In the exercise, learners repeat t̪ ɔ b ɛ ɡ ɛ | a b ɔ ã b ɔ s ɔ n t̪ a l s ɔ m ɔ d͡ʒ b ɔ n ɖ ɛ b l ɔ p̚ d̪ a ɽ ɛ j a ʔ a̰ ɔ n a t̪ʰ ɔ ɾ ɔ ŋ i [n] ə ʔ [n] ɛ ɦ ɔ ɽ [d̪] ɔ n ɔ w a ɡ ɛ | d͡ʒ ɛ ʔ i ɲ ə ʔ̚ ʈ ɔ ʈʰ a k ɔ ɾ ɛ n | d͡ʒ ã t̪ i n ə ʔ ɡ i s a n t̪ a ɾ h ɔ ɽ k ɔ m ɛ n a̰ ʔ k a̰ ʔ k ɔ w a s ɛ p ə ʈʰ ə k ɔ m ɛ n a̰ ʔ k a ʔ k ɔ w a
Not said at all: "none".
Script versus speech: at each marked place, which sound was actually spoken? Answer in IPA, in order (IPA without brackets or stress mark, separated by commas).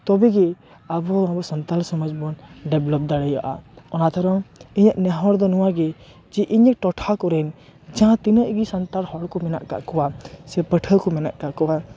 ɲ, n, d̪